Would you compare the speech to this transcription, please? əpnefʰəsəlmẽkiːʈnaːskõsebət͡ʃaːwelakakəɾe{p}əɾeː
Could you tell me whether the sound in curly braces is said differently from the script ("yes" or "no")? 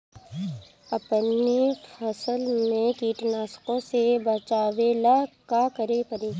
no